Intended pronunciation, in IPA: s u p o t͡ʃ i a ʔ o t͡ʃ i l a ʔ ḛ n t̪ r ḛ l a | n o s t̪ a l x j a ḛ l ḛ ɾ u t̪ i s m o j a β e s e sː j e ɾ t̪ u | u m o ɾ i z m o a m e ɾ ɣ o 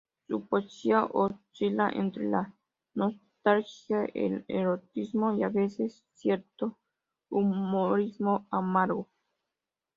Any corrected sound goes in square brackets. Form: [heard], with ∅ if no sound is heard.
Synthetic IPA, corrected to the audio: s u p o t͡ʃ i a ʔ o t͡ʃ i l a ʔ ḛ n t̪ [ɾ] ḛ l a | n o s t̪ a l x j a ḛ l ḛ ɾ [o] t̪ i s m o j a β e s e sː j e ɾ t̪ [o] | u m o ɾ i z m o a m [a] ɾ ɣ o